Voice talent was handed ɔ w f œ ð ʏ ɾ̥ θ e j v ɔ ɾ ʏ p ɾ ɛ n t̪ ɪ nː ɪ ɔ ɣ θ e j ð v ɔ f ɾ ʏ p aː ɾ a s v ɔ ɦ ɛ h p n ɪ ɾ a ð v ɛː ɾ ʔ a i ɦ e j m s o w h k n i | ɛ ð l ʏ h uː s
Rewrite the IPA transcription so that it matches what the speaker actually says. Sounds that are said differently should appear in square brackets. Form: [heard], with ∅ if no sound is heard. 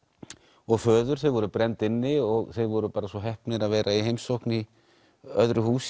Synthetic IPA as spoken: ɔ [ɣ] f [œː] ð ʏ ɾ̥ θ e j v ɔ ɾ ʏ p ɾ ɛ n t̪ ɪ nː ɪ ɔ ɣ θ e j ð v ɔ [∅] ɾ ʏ p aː ɾ a s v ɔ ɦ ɛ h p n ɪ ɾ a ð v ɛː ɾ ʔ a i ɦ e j m s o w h k n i | [œ] ð [ɾ] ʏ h uː s